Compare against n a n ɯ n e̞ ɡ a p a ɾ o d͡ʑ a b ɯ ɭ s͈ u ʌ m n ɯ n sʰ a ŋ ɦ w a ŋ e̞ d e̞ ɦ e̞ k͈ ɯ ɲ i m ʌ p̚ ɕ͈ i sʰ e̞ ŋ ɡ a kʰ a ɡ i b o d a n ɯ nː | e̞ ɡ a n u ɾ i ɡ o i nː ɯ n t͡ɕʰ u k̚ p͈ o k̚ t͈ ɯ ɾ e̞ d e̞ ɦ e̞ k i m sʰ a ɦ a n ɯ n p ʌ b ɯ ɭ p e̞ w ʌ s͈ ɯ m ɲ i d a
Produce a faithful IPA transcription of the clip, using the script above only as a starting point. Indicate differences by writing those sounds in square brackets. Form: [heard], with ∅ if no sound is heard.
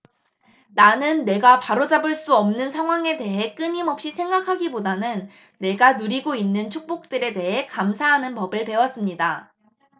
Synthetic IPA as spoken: n a n ɯ [nː] e̞ ɡ a p a ɾ o d͡ʑ a b ɯ ɭ s͈ u ʌ m n ɯ n sʰ a ŋ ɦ w a ŋ e̞ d e̞ ɦ e̞ k͈ ɯ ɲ i m ʌ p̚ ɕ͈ i sʰ e̞ ŋ ɡ a kʰ a ɡ i b o d a n ɯ nː | e̞ ɡ a n u ɾ i ɡ o i nː ɯ n t͡ɕʰ u k̚ p͈ o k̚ t͈ ɯ ɾ e̞ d e̞ ɦ e̞ k [a] m sʰ a ɦ a n ɯ n p ʌ b ɯ ɭ p e̞ w ʌ s͈ ɯ m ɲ i d a

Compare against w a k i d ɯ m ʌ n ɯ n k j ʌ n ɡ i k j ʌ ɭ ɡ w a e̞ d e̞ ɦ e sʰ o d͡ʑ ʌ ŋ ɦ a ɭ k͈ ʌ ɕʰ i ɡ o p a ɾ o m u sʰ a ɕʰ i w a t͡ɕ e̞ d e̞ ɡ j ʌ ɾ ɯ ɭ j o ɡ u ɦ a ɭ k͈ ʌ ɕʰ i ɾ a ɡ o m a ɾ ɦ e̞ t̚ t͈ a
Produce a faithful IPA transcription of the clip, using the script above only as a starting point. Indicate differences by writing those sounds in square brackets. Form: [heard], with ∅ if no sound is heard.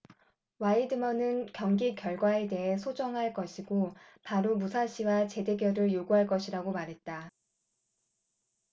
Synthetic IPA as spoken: w a [∅] i d ɯ m ʌ n ɯ n k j ʌ [ŋ] ɡ i k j ʌ ɭ ɡ w a e̞ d e̞ ɦ e sʰ o d͡ʑ ʌ ŋ ɦ a ɭ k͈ ʌ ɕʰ i ɡ o p a ɾ o m u sʰ a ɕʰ i w a t͡ɕ e̞ d e̞ ɡ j ʌ ɾ ɯ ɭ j o ɡ u ɦ a ɭ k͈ ʌ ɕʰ i ɾ a ɡ o m a ɾ ɦ e̞ t̚ t͈ a

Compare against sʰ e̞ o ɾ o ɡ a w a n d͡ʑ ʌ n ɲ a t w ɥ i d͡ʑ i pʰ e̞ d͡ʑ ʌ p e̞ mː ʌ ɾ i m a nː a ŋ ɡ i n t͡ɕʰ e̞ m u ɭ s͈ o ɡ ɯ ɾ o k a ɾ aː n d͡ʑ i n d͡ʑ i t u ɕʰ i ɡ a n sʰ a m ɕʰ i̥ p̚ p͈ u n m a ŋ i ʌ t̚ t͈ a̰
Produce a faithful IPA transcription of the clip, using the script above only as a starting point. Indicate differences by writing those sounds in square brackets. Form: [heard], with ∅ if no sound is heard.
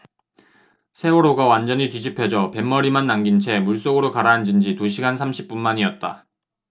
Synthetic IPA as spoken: sʰ e̞ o ɾ o ɡ a w a n d͡ʑ ʌ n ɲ [i] t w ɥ i d͡ʑ i pʰ e̞ d͡ʑ ʌ p e̞ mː ʌ ɾ i m a nː a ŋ ɡ i n t͡ɕʰ e̞ m u ɭ s͈ o ɡ ɯ ɾ o k a ɾ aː n d͡ʑ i n d͡ʑ i t u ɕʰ i ɡ a n sʰ a m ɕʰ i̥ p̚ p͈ u n m a [ɲ] i ʌ t̚ t͈ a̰

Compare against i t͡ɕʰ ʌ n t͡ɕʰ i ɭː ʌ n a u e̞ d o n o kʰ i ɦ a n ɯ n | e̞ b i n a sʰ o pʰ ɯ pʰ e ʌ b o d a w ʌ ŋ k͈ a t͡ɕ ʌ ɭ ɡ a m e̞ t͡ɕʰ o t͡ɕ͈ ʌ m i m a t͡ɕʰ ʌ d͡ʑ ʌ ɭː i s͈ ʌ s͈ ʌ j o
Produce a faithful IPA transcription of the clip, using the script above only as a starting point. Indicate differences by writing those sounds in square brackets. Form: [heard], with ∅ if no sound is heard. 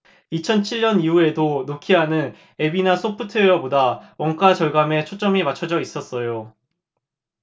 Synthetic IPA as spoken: i t͡ɕʰ ʌ n t͡ɕʰ i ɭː ʌ n [i] u e̞ d o n o kʰ i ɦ a n ɯ n | e̞ b i n a sʰ o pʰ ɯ [tʰ] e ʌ b o d a w ʌ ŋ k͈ a t͡ɕ ʌ ɭ ɡ a m e̞ t͡ɕʰ o t͡ɕ͈ ʌ m i m a t͡ɕʰ ʌ d͡ʑ ʌ [∅] i s͈ ʌ s͈ ʌ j o

